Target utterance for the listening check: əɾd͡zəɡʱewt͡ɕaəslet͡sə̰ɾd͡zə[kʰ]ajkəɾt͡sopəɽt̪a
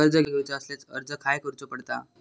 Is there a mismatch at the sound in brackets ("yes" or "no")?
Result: no